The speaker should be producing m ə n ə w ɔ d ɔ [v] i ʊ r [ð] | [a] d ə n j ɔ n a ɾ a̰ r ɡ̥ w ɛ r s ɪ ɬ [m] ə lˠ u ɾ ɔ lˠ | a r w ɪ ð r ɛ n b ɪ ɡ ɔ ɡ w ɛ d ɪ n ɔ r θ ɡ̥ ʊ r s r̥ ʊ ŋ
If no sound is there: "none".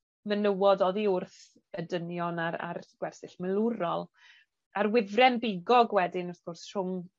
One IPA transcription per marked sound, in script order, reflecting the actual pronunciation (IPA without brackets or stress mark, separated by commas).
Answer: ð, θ, ə, m